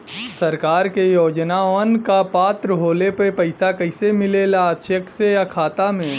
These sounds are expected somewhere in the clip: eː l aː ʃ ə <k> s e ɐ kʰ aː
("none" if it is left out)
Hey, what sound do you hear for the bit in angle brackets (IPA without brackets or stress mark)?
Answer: k